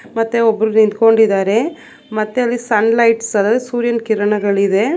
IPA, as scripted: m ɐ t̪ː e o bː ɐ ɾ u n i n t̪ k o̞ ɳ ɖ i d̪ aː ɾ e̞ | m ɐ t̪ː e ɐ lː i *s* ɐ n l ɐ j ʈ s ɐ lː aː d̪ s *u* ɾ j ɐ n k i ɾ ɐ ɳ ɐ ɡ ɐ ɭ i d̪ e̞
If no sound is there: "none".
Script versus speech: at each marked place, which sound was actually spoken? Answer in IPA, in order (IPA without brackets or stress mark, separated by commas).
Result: s, uː